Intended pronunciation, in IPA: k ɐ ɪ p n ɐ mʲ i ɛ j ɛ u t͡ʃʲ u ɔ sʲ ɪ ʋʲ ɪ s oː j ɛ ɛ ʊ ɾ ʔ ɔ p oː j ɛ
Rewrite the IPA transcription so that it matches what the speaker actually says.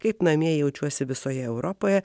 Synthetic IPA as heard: k ɐ ɪ p n ɐ mʲ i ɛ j ɛ ʊ t͡ʃʲ u ɔ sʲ ɪ ʋʲ ɪ s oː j ɛ ɛ ʊ ɾ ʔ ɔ p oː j ɛ